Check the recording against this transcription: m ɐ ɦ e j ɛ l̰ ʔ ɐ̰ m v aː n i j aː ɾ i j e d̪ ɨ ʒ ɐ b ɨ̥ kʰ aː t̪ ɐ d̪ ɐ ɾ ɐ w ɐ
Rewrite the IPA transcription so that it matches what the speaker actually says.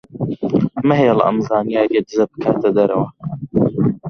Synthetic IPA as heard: m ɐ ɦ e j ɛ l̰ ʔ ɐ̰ m z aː n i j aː ɾ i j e d̪ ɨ z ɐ b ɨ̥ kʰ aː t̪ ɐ d̪ ɐ ɾ ɐ w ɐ